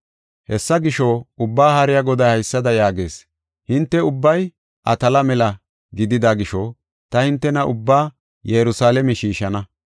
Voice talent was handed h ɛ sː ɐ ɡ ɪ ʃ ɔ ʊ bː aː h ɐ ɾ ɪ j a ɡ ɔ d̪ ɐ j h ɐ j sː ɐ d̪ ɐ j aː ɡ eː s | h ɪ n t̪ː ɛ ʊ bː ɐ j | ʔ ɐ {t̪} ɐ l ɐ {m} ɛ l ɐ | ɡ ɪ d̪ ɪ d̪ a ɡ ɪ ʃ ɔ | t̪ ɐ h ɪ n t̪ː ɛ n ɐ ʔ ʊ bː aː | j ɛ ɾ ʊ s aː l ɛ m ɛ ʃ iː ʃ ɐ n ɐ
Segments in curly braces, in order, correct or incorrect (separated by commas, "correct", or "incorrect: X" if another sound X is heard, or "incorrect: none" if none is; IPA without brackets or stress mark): correct, correct